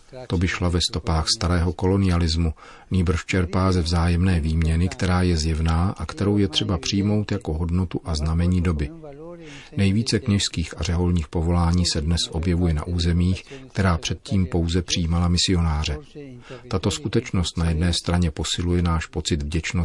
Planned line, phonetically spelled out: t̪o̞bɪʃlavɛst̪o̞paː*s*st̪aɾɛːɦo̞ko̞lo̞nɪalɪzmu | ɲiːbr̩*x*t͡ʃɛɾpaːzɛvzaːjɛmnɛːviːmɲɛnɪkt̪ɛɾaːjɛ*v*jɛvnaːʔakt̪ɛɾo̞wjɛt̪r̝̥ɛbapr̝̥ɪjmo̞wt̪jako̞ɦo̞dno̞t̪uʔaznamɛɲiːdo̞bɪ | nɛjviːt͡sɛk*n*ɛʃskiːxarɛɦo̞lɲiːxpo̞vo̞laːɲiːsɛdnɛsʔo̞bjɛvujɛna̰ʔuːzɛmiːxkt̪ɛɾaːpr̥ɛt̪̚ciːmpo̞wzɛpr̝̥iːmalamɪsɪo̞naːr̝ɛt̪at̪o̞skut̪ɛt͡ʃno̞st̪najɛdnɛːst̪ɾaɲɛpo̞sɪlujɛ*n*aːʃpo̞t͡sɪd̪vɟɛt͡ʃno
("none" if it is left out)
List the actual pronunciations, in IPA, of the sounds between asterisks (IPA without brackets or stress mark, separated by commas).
x, ʃ, z, ɲ, n